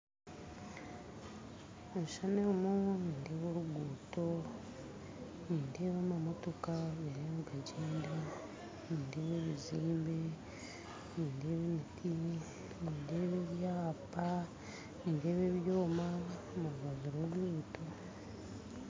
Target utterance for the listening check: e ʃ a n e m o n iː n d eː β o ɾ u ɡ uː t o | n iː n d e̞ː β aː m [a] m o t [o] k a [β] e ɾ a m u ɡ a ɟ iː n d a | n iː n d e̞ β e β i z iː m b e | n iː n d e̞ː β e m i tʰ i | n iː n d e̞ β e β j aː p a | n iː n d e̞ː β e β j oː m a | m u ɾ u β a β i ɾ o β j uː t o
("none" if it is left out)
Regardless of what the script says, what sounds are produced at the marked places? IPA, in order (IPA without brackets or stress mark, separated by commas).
a, o, β